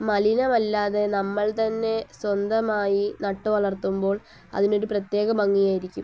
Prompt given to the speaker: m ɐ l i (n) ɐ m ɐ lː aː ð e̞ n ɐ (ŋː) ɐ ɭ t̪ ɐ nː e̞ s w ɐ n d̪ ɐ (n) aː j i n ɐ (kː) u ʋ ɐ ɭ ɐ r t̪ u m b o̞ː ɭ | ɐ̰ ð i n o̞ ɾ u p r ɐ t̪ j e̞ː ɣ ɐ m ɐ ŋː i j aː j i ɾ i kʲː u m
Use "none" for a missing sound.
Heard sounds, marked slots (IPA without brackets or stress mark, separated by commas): n, mː, m, ʈː